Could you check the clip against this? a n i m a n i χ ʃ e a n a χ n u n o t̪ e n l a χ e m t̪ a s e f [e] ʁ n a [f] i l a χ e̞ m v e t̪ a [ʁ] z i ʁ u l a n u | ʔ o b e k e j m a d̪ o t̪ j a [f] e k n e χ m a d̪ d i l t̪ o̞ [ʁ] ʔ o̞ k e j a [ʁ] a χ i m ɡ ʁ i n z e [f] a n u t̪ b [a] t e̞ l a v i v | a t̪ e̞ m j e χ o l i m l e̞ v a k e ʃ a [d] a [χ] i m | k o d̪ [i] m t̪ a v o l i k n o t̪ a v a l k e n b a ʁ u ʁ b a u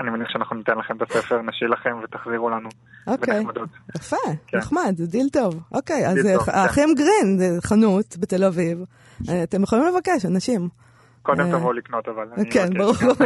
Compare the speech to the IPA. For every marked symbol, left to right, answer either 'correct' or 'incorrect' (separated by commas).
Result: correct, incorrect, incorrect, correct, incorrect, incorrect, incorrect, incorrect, incorrect, incorrect, incorrect